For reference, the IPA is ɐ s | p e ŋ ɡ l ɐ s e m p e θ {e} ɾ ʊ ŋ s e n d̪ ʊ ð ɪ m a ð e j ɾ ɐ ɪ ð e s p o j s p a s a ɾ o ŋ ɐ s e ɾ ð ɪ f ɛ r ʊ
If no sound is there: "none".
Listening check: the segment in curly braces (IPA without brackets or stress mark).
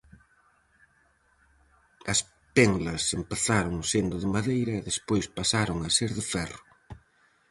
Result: a